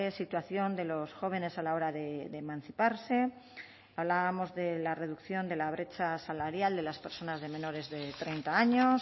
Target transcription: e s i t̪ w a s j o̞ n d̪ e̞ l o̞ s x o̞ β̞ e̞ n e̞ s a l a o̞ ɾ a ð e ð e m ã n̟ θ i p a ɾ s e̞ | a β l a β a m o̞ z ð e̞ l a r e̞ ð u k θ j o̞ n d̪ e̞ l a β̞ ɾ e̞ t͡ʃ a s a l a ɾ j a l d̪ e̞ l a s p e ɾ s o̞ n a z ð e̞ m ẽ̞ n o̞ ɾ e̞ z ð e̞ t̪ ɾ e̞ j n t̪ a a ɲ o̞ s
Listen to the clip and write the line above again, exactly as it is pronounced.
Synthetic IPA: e s i t̪ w a θ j o̞ n d̪ e̞ l o̞ s x o̞ β̞ e̞ n e̞ s a l a o̞ ɾ a ð e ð e m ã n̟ θ i p a ɾ s e̞ | a β l a β a m o̞ z ð e̞ l a r e̞ ð u k θ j o̞ n d̪ e̞ l a β̞ ɾ e̞ t͡ʃ a s a l a ɾ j a l d̪ e̞ l a s p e ɾ s o̞ n a z ð e̞ m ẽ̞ n o̞ ɾ e̞ z ð e̞ t̪ ɾ e̞ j n t̪ a a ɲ o̞ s

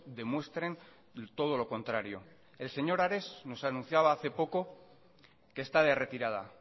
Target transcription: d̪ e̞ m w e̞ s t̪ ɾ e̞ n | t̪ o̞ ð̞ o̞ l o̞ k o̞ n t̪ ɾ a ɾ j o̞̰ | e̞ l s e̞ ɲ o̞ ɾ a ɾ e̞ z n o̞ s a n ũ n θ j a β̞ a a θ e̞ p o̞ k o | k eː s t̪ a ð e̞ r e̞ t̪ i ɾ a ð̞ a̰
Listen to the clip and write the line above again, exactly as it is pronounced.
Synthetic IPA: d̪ e̞ m w e̞ s t̪ ɾ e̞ n | t̪ o̞ ð̞ o̞ l o̞ k o̞ n t̪ ɾ a ɾ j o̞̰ | e̞ l s e̞ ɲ o̞ ɾ a ɾ e̞ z n o̞ s a n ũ n θ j a β̞ a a θ e̞ p o̞ k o | k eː s t̪ a ð e̞ r e̞ t̪ i ɾ a ð̞ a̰

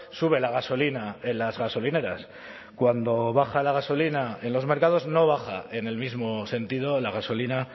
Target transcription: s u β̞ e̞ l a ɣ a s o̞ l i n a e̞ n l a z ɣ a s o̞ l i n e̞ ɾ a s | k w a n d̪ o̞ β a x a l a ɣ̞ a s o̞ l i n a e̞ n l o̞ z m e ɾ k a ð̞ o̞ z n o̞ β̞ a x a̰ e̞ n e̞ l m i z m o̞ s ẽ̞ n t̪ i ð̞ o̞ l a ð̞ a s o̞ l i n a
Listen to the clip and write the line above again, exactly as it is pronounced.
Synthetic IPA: s u β̞ e̞ l a ɣ a s o̞ l i n a e̞ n l a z ɣ a s o̞ l i n e̞ ɾ a s | k w a n d̪ o̞ β a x a l a ɣ̞ a s o̞ l i n a e̞ n l o̞ z m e ɾ k a ð̞ o̞ z n o̞ β̞ a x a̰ e̞ n e̞ l m i z m o̞ s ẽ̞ n t̪ i ð̞ o̞ l a ɣ̞ a s o̞ l i n a

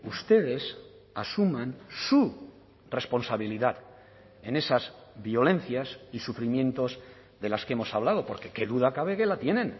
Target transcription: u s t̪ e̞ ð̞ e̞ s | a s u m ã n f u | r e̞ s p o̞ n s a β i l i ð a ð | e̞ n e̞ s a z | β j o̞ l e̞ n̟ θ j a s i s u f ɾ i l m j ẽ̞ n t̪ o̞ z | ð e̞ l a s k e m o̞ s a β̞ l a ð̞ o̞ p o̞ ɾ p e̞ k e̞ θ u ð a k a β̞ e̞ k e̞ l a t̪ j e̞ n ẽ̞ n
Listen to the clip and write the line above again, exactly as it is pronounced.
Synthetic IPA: u s t̪ e̞ ð̞ e̞ s | a s u m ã n s u | r e̞ s p o̞ n s a β i l i ð a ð | e̞ n e̞ s a z | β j o̞ l e̞ n̟ θ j a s i s u f ɾ i m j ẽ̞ n t̪ o̞ z | ð e̞ l a s k e m o̞ s a β̞ l a ð̞ o̞ p o̞ ɾ k e̞ k e̞ ð u ð a k a β̞ e̞ k e̞ l a t̪ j e̞ n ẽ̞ n

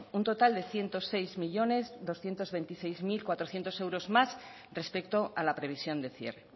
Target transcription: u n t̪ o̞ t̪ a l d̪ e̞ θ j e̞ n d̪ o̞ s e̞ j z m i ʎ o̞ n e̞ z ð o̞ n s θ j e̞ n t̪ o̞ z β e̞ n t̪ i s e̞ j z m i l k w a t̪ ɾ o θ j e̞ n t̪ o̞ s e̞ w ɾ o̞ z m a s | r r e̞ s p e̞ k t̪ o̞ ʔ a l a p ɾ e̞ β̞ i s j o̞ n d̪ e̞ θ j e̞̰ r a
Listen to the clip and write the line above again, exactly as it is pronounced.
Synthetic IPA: u n t̪ o̞ t̪ a l d̪ e̞ θ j e̞ n t̪ o̞ s e̞ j z m i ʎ o̞ n e̞ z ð o̞ s θ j e̞ n t̪ o̞ z β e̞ n t̪ i s e̞ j z m i l k w a t̪ ɾ o θ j e̞ n t̪ o̞ s e̞ w ɾ o̞ z m a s | r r e̞ s p e̞ k t̪ o̞ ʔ a l a p ɾ e̞ β̞ i s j o̞ n d̪ e̞ θ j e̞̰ r e

